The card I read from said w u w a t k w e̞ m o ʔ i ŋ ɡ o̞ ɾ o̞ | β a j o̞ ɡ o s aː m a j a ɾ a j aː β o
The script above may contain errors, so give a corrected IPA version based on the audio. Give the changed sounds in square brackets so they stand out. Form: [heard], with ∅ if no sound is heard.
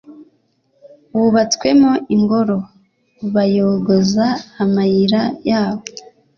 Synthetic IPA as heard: w u [β] a [t͡s] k w e̞ m o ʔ i ŋ ɡ o̞ ɾ o̞ | β a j o̞ ɡ o [z] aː m a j [i] ɾ a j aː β o